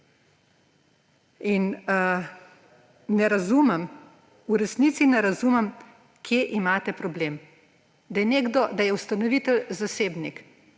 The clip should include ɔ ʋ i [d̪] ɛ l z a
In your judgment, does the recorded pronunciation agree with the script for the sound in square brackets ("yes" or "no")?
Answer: no